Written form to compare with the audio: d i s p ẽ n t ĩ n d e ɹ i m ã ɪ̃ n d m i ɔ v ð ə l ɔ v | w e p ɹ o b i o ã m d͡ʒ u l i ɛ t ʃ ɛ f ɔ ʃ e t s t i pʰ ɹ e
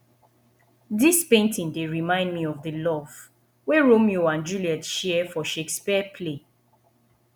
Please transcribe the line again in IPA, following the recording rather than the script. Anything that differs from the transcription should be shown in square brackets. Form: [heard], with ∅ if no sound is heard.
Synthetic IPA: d i s p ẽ n t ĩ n d e ɹ i m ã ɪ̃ n d m i ɔ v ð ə l ɔ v | w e [∅] ɹ o [m] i o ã [n] d͡ʒ u l i ɛ t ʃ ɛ f ɔ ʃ e [k] s [p] i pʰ [l] e